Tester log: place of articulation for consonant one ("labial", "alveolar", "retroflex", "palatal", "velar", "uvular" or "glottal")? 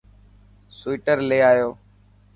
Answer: alveolar